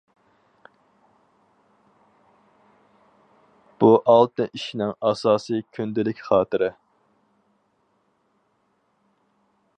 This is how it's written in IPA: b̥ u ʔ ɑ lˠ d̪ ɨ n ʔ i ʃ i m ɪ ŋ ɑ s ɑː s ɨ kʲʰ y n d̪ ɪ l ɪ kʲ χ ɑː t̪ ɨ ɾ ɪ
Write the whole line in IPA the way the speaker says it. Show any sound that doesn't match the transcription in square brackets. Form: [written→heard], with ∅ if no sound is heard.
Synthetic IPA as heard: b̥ u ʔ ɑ lˠ [d̪→t̪] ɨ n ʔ i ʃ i [m→n] ɪ ŋ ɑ s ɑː s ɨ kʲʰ y n d̪ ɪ l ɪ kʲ χ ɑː t̪ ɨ ɾ ɪ